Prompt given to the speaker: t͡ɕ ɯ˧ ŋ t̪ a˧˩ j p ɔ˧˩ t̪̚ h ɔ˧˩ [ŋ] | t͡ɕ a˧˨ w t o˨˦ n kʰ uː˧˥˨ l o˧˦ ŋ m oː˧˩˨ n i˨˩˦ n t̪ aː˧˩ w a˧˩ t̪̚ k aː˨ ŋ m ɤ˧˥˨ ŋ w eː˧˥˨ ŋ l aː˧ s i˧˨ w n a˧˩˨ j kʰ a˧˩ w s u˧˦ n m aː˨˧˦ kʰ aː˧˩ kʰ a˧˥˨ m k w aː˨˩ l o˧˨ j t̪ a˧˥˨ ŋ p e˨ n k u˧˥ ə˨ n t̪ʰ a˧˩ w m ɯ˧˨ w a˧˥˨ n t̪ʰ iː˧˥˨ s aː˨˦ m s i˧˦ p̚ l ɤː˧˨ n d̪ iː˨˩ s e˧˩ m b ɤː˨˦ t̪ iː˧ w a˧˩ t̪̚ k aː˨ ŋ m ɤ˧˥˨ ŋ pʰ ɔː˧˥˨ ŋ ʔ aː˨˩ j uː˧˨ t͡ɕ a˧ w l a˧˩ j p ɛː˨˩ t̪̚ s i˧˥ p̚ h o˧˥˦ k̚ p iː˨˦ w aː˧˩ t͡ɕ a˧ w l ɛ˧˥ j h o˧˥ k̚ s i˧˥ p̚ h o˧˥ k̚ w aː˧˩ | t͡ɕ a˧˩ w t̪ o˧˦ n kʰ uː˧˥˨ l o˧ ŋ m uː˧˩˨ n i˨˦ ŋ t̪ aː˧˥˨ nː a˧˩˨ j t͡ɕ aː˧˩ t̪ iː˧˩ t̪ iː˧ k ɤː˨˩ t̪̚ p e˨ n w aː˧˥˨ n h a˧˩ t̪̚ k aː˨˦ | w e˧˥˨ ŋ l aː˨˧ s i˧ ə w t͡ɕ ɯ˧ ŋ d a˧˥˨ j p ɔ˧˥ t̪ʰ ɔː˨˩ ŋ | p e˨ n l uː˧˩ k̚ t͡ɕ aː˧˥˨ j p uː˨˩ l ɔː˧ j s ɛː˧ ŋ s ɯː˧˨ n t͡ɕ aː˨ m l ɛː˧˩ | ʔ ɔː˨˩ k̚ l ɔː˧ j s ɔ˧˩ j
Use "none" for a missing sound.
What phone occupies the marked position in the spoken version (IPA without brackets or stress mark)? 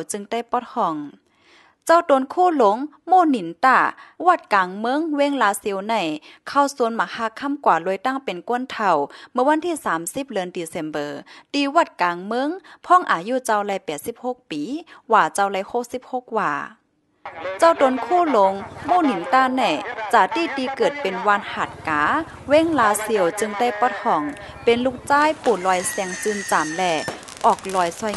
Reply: ŋ